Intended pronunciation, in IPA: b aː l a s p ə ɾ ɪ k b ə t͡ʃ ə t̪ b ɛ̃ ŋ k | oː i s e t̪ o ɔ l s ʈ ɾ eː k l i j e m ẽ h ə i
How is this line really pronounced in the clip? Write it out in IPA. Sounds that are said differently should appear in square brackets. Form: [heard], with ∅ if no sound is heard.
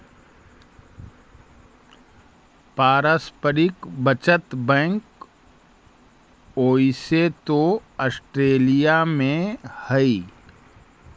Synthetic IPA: [p] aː [ɾ] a s p ə ɾ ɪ k b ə t͡ʃ ə t̪ b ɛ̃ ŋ k | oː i s e t̪ o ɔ [∅] s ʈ ɾ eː [∅] l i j [a] m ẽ h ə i